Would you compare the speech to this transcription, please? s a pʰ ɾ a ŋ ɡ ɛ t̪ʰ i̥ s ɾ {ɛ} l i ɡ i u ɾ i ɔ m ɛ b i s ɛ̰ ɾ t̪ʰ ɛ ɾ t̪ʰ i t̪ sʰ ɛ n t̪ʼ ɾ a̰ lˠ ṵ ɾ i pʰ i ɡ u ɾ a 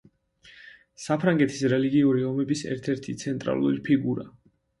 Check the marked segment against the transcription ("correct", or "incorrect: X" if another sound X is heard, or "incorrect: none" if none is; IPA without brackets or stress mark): correct